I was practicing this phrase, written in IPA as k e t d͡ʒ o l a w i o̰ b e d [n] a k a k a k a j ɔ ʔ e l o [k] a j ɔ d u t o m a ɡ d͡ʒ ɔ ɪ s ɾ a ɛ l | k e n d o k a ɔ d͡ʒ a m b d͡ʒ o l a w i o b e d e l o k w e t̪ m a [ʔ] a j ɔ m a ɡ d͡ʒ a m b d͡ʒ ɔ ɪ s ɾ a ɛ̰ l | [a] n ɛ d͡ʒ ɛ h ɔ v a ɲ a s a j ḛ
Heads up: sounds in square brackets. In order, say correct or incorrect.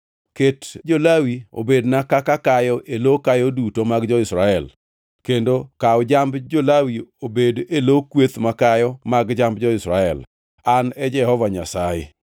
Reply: correct, correct, incorrect, correct

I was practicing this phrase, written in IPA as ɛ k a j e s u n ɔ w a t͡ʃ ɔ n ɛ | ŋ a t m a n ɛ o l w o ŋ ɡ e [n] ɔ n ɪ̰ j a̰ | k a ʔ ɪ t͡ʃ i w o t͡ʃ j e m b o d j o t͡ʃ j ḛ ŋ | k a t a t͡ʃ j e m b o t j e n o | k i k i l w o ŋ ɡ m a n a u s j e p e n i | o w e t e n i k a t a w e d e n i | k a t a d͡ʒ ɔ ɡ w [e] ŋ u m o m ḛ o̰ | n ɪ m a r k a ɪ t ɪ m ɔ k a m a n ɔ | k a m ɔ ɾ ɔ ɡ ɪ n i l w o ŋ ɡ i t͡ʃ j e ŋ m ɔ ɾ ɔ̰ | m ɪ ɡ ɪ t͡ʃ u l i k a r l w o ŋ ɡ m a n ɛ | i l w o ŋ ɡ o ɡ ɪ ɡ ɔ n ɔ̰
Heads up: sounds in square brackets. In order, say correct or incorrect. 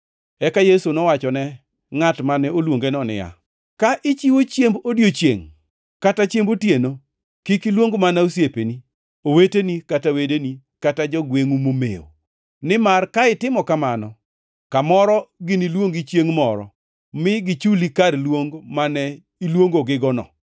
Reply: correct, correct

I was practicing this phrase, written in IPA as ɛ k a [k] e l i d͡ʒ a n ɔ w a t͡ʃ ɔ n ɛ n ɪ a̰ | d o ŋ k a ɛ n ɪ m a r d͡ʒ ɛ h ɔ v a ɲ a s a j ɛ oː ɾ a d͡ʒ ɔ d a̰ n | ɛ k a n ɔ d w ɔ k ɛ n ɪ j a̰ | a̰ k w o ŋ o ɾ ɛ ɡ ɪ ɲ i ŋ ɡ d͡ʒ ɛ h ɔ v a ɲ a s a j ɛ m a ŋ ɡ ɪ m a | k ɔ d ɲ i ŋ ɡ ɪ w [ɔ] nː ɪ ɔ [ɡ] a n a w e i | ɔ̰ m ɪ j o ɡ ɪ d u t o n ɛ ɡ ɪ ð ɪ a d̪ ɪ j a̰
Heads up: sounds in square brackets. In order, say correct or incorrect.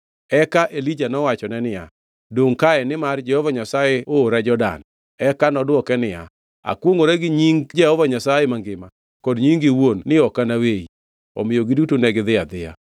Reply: incorrect, incorrect, incorrect

